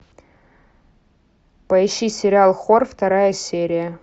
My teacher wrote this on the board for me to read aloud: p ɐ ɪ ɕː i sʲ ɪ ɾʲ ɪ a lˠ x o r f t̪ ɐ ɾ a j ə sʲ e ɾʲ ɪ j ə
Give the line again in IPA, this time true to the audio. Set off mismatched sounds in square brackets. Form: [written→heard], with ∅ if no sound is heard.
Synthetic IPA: p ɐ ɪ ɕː i sʲ ɪ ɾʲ ɪ a lˠ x o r f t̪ ɐ ɾ a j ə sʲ e ɾʲ ɪ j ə